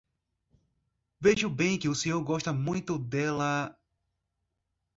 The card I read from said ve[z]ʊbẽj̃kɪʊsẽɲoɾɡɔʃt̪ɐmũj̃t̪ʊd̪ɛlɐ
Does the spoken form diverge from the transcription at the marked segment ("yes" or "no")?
yes